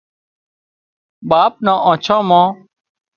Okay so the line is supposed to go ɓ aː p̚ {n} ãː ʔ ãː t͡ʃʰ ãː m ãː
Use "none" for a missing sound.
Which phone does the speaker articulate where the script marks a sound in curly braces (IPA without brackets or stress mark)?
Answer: n